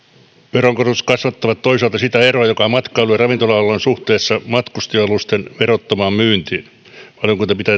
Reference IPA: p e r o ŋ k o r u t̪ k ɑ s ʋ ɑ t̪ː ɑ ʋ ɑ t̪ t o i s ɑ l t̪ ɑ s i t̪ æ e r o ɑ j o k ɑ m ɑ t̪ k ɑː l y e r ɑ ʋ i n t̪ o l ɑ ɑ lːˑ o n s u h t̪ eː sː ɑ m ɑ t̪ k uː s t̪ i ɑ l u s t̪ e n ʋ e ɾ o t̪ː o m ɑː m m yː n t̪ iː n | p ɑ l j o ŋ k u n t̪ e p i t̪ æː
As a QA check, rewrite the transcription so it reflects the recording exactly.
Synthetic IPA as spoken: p e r o ŋ k o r u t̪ k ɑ s ʋ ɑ t̪ː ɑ ʋ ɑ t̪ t o i s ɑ l t̪ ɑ s i t̪ æ e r o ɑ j o k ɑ m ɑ t̪ k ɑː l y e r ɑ ʋ i n t̪ o l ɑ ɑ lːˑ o n s u h t̪ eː sː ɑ m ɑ t̪ k u s t̪ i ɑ l u s t̪ e n ʋ e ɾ o t̪ː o m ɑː m m yː n t̪ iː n | p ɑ l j o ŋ k u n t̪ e p i t̪ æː